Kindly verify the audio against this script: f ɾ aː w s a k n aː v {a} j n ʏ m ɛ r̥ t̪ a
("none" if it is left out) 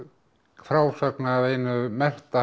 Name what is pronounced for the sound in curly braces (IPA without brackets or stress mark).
e